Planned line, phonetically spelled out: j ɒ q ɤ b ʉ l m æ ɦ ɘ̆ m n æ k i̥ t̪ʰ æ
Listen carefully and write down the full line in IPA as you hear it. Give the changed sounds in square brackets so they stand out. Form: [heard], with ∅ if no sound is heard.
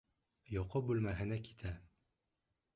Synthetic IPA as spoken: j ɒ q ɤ b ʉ l m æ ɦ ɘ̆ [∅] n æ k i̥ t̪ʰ æ